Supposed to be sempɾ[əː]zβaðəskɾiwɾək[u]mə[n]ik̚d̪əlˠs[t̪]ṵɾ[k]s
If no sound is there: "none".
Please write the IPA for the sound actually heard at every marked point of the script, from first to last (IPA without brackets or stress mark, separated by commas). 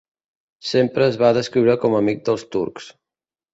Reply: əː, ɔ, m, t̪, k